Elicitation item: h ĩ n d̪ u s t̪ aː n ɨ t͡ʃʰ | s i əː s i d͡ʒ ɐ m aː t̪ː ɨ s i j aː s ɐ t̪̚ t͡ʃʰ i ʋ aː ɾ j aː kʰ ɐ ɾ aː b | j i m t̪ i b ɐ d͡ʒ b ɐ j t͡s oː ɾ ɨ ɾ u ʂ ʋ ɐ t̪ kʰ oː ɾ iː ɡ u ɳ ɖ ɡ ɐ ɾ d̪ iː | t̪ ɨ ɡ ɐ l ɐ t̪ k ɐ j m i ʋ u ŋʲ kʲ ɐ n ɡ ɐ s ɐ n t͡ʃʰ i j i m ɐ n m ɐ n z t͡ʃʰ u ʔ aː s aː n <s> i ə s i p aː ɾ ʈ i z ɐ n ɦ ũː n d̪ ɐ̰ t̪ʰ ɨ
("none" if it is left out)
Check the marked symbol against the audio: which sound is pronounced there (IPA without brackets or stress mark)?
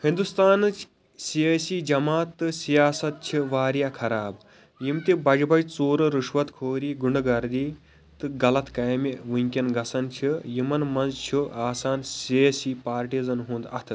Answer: s